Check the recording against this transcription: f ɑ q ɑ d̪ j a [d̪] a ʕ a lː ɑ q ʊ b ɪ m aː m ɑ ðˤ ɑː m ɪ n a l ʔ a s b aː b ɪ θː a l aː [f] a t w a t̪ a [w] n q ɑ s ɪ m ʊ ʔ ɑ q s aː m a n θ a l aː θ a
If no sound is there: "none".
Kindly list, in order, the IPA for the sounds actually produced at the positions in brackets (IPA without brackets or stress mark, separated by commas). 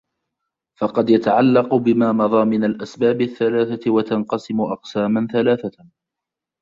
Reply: t̪, θ, none